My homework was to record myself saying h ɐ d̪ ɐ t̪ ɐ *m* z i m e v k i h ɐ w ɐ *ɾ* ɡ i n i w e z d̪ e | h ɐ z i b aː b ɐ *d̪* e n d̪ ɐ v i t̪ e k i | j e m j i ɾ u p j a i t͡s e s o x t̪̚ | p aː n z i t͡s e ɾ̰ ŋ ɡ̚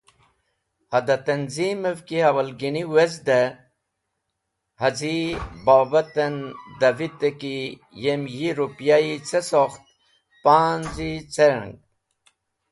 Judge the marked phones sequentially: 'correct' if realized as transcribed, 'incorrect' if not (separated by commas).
incorrect, incorrect, incorrect